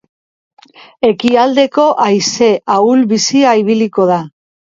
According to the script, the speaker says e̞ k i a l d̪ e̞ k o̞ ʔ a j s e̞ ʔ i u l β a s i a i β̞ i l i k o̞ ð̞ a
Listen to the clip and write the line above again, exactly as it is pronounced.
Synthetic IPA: e̞ k i a l d̪ e̞ k o̞ ʔ a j s e̞ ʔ a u l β i s i a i β̞ i l i k o̞ ð̞ a